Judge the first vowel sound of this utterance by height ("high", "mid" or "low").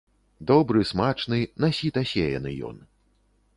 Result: mid